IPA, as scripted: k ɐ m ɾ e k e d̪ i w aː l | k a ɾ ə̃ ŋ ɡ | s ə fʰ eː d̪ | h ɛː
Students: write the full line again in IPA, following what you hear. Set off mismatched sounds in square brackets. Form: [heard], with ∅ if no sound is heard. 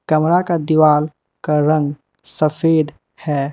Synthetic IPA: k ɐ m ɾ [a] k [a] d̪ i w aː l | k a ɾ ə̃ ŋ ɡ | s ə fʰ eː d̪ | h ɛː

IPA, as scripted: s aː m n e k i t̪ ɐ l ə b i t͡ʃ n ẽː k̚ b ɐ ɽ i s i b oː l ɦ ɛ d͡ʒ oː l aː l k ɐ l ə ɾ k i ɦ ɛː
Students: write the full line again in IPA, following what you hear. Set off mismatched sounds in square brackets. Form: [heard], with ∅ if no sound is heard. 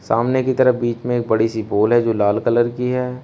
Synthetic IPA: s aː m n e k i t̪ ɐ [ɾ] ə b [iː] t͡ʃ [m] ẽː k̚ b ɐ ɽ i s i b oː l ɦ ɛ d͡ʒ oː l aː l k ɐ l ə ɾ k i ɦ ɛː

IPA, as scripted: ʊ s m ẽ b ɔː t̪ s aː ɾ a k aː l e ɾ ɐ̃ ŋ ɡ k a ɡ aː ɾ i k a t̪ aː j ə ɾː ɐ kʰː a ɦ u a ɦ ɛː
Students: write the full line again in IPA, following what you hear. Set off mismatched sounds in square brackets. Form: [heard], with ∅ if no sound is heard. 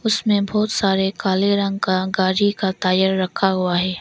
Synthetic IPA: ʊ s m ẽ b ɔː t̪ s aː ɾ [e] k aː l e ɾ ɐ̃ ŋ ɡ k a ɡ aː ɾ i k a t̪ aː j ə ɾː ɐ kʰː a ɦ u a ɦ ɛː

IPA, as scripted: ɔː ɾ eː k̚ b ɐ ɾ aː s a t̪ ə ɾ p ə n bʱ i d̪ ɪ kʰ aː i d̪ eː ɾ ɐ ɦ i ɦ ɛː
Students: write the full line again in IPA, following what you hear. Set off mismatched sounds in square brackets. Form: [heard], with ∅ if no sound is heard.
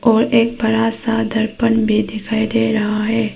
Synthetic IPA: ɔː ɾ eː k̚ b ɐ ɾ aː s a [d̪] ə ɾ p ə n bʱ i d̪ ɪ kʰ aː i d̪ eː ɾ ɐ ɦ [a] ɦ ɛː

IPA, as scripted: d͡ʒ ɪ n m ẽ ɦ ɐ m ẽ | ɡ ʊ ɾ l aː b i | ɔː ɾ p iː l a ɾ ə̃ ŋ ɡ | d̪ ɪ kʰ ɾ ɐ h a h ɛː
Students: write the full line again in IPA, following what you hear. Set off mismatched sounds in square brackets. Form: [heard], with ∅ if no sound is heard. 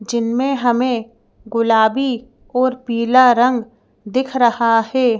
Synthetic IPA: d͡ʒ ɪ n m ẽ ɦ ɐ m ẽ | ɡ ʊ [∅] l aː b i | ɔː ɾ p iː l a ɾ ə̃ ŋ ɡ | d̪ ɪ kʰ ɾ ɐ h a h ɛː

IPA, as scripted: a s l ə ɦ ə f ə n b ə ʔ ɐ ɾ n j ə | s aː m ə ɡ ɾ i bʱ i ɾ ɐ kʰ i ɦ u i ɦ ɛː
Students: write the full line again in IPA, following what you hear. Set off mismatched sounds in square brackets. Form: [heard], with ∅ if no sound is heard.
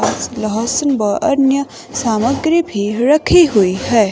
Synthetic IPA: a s l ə ɦ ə [s] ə n b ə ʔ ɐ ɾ n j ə | s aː m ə ɡ ɾ i bʱ i ɾ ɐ kʰ i ɦ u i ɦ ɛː

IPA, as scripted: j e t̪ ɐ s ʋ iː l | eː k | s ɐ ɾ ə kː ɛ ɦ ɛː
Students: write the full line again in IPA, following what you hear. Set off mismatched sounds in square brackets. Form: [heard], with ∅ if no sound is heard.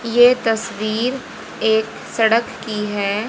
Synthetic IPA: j e t̪ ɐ s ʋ iː [ɾ] | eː k | s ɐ [ɽ] ə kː [i] ɦ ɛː

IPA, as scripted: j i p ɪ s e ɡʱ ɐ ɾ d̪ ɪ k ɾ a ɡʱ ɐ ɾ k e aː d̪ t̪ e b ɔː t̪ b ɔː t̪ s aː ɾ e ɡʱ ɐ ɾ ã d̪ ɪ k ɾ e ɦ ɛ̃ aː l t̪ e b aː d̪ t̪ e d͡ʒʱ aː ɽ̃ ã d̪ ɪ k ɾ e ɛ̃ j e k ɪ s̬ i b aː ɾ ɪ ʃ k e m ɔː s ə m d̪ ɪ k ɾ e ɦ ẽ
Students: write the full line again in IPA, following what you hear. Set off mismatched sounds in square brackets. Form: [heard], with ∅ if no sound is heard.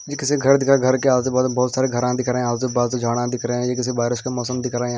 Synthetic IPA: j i [k] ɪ s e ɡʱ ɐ ɾ d̪ ɪ k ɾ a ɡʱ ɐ ɾ k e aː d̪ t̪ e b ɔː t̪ b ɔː t̪ s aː ɾ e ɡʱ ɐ ɾ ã d̪ ɪ k ɾ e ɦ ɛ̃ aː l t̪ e b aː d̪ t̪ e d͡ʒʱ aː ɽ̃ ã d̪ ɪ k ɾ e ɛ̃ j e k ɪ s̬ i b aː ɾ ɪ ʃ k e m ɔː s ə m d̪ ɪ k ɾ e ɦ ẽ

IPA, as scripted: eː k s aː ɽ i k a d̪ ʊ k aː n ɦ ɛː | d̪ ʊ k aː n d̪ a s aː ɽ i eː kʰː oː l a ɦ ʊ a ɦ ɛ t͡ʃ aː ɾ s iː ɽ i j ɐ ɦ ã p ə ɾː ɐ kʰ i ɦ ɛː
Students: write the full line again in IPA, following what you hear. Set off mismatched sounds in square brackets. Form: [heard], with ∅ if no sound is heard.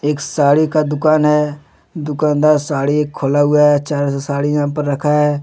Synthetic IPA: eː k s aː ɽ i k a d̪ ʊ k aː n ɦ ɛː | d̪ ʊ k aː n d̪ a s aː ɽ i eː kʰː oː l a ɦ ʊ a ɦ ɛ t͡ʃ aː ɾ s [aː] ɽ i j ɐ ɦ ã p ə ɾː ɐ kʰ [a] ɦ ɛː

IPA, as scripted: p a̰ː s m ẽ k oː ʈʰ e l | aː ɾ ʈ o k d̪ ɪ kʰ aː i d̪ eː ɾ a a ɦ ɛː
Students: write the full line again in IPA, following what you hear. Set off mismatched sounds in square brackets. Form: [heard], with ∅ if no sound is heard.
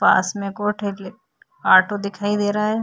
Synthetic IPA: p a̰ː s m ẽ k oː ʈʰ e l | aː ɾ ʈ o [∅] d̪ ɪ kʰ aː i d̪ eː ɾ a a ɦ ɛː

